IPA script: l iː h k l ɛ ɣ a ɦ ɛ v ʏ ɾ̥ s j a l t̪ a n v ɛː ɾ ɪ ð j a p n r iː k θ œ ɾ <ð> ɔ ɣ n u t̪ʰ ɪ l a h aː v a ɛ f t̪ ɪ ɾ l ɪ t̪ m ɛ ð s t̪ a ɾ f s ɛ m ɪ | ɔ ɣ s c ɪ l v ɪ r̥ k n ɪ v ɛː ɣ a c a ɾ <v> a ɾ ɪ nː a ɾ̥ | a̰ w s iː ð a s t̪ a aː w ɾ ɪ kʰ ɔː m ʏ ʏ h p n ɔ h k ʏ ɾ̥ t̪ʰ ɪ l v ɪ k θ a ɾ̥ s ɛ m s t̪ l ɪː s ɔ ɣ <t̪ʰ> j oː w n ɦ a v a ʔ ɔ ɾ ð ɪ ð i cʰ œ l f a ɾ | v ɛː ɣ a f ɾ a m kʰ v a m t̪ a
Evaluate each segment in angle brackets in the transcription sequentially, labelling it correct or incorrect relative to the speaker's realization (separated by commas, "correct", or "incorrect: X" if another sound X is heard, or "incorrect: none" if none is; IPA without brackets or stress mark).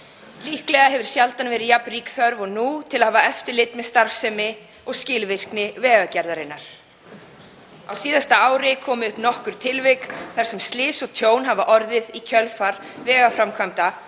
incorrect: v, incorrect: ð, correct